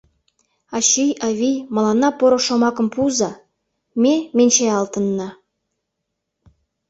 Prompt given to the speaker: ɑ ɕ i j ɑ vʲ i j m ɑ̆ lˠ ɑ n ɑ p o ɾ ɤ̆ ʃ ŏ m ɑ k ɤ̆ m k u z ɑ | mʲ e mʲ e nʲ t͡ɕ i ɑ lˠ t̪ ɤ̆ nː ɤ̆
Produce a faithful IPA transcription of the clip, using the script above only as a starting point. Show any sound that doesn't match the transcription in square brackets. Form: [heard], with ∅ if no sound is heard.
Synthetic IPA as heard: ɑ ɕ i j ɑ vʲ i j m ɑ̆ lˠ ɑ n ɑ p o ɾ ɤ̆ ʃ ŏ m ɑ k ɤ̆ m [p] u z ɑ | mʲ e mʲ e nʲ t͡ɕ [e] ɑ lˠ t̪ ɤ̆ nː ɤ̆